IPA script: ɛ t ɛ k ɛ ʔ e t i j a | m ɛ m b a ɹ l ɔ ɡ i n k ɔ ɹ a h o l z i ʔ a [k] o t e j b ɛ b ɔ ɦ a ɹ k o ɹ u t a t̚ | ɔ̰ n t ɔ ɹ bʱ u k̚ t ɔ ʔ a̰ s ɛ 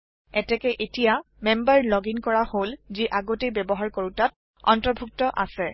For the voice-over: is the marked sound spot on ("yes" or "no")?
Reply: no